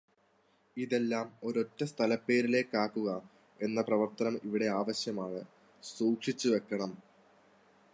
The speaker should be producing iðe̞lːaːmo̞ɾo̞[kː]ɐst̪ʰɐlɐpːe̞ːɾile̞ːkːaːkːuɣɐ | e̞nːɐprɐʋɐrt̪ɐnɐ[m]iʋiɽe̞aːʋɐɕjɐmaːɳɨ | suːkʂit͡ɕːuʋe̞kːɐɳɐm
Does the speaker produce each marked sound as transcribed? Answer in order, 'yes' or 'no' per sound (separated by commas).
no, yes